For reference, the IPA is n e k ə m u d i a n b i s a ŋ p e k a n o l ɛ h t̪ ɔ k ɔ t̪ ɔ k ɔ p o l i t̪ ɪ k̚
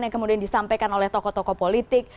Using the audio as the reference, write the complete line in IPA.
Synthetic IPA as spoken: n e k ə m u d i a n d i s a m p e k a n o l ɛ h t̪ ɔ k ɔ t̪ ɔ k ɔ p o l i t̪ ɪ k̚